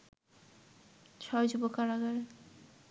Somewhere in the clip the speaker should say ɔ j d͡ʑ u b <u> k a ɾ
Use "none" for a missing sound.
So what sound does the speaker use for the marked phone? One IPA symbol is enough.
o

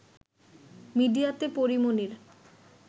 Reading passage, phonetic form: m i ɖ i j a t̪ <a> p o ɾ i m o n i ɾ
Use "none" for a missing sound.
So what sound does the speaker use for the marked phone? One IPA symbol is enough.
e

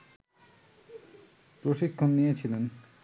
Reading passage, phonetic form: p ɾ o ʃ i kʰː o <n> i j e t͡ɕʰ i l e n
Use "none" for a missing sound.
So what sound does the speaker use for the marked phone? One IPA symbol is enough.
nː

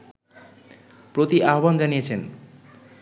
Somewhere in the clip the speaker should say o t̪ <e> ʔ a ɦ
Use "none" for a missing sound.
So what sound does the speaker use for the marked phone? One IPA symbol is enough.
i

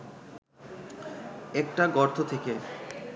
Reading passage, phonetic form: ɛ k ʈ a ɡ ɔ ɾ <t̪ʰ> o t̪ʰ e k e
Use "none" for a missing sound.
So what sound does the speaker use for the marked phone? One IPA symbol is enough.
t̪ʰ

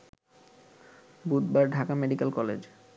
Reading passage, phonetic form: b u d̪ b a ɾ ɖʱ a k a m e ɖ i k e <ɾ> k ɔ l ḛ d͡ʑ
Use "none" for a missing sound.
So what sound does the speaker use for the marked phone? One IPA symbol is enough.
l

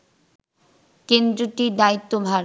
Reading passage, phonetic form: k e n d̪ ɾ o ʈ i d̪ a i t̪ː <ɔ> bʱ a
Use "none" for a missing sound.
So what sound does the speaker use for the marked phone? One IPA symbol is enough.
o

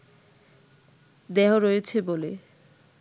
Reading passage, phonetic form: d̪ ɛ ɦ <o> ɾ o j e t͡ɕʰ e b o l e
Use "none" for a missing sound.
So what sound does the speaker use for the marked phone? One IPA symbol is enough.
o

